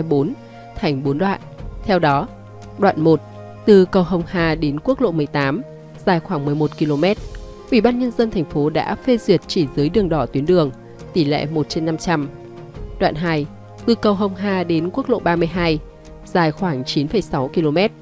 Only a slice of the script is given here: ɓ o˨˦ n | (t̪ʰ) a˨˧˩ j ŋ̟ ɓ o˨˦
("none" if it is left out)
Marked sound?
t̪ʰ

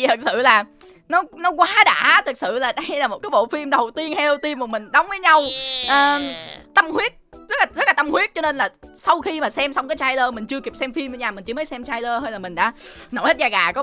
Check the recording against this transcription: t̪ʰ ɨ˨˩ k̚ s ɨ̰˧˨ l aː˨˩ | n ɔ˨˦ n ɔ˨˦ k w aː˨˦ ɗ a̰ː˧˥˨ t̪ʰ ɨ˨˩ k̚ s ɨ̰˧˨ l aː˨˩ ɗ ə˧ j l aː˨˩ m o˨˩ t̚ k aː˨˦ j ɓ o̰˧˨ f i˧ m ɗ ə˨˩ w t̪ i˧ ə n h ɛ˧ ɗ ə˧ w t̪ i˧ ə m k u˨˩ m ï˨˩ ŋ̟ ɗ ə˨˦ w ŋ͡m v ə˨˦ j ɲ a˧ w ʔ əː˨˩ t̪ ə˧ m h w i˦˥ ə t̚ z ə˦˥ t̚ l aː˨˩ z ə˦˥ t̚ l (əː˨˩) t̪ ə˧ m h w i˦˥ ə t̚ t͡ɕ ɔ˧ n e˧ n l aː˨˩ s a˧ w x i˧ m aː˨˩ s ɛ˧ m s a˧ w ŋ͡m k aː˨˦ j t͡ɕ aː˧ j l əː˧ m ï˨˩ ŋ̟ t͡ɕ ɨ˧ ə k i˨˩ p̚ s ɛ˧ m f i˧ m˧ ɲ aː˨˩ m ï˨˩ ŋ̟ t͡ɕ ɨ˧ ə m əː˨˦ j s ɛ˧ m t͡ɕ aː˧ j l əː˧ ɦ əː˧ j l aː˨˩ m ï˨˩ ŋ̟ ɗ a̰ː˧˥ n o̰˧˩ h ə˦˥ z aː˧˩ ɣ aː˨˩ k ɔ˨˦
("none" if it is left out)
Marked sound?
aː˨˩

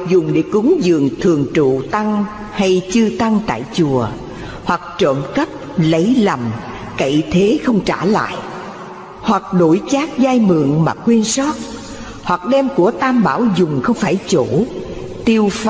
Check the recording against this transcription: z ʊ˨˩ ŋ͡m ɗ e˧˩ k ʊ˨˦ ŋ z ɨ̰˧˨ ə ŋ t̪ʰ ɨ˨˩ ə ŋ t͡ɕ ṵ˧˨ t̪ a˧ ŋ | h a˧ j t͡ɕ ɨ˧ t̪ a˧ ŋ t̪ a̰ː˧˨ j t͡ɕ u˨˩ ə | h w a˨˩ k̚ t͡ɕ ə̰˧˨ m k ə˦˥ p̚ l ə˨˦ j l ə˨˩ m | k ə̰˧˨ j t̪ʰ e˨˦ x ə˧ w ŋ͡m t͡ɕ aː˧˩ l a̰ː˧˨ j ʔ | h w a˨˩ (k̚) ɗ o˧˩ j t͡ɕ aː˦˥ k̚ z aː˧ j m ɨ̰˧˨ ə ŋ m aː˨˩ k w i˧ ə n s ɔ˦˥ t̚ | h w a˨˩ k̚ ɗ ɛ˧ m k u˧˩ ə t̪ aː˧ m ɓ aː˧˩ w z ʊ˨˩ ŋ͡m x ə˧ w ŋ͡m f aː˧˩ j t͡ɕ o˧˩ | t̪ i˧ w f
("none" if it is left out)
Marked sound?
k̚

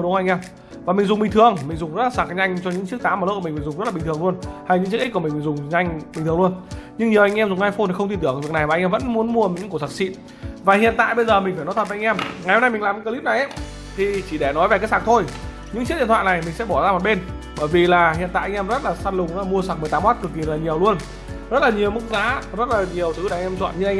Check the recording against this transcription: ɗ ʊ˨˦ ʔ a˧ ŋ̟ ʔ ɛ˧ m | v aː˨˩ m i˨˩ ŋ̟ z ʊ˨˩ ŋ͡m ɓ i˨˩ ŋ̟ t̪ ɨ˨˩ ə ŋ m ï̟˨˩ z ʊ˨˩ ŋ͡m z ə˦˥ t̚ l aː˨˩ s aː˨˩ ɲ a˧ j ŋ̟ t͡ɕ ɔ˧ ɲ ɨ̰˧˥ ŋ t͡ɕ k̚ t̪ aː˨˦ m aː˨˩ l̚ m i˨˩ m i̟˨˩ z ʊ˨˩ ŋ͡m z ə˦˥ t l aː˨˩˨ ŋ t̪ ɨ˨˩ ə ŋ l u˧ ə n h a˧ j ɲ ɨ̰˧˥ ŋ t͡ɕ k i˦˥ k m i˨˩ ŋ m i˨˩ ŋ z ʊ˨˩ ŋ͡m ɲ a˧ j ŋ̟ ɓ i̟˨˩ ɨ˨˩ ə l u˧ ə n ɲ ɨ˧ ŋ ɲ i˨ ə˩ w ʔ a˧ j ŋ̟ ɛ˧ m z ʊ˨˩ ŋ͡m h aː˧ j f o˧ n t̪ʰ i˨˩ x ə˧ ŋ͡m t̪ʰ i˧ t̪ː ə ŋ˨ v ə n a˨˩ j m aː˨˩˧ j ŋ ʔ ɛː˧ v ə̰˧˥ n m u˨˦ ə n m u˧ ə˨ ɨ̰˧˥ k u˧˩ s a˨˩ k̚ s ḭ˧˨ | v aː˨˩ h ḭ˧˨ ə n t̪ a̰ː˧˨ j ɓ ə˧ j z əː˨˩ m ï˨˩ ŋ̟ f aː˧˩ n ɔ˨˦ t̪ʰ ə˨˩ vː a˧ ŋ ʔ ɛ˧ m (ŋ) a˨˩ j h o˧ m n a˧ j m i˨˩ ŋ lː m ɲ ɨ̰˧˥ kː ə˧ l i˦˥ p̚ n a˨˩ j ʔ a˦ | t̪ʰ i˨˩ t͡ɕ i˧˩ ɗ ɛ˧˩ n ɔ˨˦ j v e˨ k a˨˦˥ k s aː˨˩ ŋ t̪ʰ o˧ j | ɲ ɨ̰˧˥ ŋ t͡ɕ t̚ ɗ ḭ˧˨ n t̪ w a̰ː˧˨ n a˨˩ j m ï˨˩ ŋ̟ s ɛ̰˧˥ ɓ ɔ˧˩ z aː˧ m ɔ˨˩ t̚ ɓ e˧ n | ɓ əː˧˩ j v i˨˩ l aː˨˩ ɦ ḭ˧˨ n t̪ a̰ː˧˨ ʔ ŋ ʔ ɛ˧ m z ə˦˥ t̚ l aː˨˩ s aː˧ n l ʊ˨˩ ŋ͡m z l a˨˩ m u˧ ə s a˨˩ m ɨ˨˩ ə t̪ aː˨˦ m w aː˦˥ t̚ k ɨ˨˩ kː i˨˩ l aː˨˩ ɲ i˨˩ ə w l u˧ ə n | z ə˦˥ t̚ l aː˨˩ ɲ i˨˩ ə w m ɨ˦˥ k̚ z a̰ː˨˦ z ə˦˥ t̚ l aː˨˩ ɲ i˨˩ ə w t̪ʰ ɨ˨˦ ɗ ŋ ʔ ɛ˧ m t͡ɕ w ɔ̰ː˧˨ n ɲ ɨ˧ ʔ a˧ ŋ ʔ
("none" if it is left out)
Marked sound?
ŋ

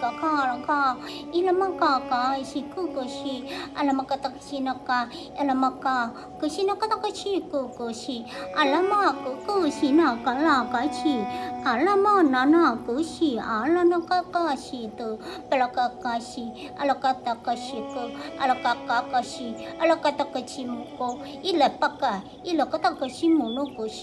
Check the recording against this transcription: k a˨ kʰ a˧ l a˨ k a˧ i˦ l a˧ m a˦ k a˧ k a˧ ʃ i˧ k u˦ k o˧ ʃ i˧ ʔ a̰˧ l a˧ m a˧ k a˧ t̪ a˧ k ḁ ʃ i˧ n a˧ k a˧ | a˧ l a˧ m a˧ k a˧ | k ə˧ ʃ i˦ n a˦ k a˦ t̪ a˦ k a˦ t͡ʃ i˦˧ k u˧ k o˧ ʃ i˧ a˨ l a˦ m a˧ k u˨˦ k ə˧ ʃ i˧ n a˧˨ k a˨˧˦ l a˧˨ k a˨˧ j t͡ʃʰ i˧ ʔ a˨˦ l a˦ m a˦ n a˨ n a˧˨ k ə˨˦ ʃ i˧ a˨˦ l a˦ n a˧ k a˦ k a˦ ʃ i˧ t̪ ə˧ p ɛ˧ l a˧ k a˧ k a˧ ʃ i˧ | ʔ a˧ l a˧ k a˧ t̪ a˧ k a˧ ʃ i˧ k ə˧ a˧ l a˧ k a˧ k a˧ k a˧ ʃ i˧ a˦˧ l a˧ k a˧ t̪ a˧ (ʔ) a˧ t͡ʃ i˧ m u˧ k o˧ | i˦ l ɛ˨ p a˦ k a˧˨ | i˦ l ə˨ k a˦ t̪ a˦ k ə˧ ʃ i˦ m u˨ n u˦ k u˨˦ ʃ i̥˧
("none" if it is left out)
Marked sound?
k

